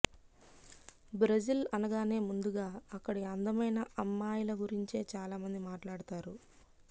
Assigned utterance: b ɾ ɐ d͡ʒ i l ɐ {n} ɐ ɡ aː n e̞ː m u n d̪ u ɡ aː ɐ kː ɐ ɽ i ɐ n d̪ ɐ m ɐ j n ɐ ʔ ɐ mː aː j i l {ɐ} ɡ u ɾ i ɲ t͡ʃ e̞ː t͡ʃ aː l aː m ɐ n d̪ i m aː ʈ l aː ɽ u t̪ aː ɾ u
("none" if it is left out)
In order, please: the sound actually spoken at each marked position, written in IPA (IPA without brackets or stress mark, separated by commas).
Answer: n, ɐ